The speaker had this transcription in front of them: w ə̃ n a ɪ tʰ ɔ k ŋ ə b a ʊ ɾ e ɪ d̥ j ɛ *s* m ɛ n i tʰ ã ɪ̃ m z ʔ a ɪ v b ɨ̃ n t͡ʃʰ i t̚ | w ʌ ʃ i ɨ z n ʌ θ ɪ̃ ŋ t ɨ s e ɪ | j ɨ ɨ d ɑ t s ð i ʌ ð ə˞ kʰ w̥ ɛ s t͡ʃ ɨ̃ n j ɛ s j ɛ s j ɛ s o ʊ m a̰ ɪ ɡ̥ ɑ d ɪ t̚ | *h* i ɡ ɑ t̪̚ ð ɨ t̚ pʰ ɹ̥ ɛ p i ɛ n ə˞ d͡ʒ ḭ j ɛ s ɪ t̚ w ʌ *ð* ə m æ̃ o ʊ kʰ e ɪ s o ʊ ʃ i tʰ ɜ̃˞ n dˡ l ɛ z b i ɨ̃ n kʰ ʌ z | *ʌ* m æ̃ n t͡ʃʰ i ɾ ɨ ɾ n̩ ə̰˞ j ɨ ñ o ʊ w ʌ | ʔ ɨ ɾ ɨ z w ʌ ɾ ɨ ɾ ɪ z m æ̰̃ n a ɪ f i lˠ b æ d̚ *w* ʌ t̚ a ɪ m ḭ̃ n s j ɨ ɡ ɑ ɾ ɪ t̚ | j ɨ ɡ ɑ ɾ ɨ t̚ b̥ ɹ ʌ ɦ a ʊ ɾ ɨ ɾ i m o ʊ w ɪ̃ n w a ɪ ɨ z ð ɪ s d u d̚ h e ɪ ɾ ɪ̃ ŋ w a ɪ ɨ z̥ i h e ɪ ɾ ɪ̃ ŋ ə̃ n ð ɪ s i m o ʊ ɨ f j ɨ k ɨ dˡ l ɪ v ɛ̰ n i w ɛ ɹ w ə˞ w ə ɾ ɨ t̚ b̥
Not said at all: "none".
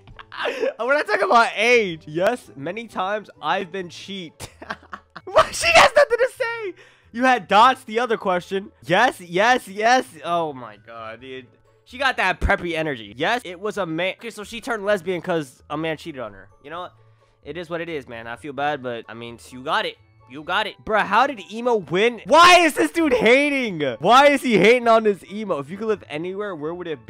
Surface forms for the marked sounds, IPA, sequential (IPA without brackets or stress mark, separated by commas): s, ʃ, z, ə, b